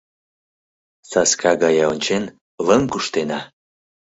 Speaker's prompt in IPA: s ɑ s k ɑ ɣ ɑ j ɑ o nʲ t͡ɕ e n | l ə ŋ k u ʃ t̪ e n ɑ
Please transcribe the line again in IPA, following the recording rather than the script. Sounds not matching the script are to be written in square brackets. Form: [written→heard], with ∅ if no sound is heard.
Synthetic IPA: s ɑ s k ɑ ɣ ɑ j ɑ o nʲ t͡ɕ e n | l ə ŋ k u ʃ t̪ e n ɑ

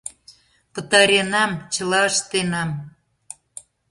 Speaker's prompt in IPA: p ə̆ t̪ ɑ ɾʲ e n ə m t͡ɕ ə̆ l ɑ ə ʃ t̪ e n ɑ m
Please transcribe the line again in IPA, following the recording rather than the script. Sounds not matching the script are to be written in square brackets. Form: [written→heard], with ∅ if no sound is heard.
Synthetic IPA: p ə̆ t̪ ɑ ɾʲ e n [ə→ɑ] m t͡ɕ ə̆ l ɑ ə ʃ t̪ e n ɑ m

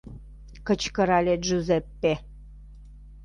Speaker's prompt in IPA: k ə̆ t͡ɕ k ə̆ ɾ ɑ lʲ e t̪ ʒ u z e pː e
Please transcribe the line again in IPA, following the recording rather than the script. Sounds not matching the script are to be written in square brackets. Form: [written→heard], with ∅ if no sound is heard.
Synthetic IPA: k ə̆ t͡ɕ k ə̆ ɾ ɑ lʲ e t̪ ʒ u z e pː e

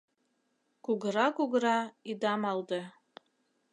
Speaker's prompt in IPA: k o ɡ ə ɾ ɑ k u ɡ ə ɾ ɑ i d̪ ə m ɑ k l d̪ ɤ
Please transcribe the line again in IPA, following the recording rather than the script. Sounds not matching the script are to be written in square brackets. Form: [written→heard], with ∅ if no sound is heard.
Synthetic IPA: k [o→u] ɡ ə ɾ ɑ k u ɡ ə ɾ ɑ i d̪ [ə→ɑ] m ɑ [k→∅] l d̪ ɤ

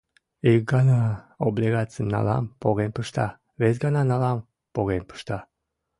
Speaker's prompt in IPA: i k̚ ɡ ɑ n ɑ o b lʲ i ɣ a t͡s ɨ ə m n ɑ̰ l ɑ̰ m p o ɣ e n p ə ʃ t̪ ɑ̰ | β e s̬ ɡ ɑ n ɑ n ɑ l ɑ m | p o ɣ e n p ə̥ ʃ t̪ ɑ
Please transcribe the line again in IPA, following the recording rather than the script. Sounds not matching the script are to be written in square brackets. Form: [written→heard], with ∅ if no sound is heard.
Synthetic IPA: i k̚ ɡ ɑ n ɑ o b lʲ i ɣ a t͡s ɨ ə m n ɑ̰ l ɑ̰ m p o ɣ e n p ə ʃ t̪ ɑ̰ | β e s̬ ɡ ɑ n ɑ n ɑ l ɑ m | p o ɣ e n p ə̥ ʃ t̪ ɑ

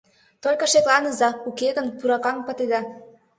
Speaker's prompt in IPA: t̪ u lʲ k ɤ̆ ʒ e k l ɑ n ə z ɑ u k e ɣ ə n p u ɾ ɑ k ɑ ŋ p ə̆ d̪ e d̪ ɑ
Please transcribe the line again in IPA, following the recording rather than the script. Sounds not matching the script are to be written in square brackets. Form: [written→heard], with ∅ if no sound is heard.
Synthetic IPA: t̪ [u→o] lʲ k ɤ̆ [ʒ→ʃ] e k l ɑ n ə z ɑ u k e ɣ ə n p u ɾ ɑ k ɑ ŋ p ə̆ [d̪→t̪] e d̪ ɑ

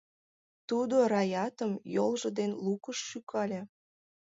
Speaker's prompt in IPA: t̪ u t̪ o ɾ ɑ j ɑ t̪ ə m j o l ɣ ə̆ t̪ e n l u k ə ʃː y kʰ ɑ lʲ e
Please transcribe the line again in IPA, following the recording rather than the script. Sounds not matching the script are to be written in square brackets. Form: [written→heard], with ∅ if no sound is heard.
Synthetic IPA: t̪ u [t̪→d̪] o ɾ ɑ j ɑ t̪ ə m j o l [ɣ→ʒ] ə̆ [t̪→d̪] e n l u k ə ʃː y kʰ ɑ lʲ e

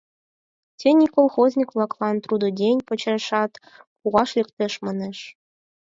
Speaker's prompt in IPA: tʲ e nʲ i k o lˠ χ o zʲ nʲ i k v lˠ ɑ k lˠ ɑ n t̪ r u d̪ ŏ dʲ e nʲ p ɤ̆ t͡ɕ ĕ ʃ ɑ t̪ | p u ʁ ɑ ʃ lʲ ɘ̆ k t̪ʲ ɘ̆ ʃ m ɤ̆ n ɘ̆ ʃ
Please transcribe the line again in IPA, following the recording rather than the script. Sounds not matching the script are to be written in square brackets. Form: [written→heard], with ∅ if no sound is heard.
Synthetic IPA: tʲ e nʲ i k o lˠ χ o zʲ nʲ i k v lˠ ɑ k lˠ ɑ n t̪ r u d̪ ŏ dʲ e nʲ p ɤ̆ t͡ɕ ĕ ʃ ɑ t̪ | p u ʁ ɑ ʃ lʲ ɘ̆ k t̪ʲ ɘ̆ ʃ m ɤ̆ n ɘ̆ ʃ

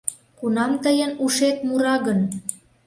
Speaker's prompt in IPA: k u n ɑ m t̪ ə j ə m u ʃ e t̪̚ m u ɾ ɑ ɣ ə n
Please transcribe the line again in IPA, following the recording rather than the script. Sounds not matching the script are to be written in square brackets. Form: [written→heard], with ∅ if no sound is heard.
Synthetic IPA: k u n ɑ m t̪ ə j ə [m→n] u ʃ e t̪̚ m u ɾ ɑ ɣ ə n

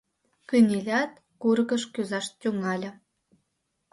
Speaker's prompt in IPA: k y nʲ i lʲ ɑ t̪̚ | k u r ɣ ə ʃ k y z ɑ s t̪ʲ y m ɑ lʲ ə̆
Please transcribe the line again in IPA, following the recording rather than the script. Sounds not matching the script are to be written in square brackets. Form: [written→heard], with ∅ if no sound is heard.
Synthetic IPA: k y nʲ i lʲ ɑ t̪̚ | k u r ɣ ə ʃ k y z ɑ [s→ʃ] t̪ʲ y [m→ŋ] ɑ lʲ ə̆

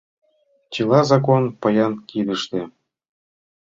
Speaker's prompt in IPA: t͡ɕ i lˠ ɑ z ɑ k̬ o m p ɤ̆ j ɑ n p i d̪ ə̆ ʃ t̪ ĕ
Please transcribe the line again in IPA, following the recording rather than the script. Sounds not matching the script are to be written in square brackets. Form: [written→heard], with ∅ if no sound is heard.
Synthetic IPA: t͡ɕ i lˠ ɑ z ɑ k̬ o [m→n] p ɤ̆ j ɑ n [p→k] i d̪ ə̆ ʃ t̪ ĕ

